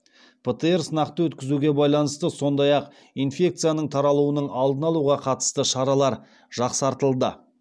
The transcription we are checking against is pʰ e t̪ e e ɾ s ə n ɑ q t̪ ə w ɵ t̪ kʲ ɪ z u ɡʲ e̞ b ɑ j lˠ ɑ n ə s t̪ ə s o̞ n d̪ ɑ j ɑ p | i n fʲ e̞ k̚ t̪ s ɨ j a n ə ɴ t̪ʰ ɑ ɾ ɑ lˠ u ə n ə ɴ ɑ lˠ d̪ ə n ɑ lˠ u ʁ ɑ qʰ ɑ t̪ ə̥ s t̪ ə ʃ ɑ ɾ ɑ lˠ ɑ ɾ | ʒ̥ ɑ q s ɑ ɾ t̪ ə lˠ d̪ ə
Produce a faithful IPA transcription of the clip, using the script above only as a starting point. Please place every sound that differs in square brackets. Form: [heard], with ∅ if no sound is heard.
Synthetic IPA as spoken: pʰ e t̪ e e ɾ s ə n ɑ q t̪ ə w ɵ t̪ kʲ ɪ z u ɡʲ e̞ b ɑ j lˠ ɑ n ə s t̪ ə s o̞ n d̪ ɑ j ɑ [q] | i n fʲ e̞ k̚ t̪ s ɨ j a n ə ɴ t̪ʰ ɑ ɾ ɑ lˠ u ə n ə ɴ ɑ lˠ d̪ ə n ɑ lˠ u ʁ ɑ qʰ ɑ t̪ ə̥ s t̪ ə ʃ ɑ ɾ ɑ lˠ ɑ ɾ | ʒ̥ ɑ q s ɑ ɾ t̪ ə lˠ d̪ ə